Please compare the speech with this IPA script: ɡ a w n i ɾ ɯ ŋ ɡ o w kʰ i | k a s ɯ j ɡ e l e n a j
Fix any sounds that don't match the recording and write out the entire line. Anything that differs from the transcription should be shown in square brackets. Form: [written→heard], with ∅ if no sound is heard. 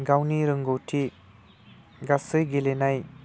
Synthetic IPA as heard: ɡ a w n i ɾ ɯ ŋ ɡ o w [kʰ→tʰ] i | [k→ɡ] a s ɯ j ɡ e l e n a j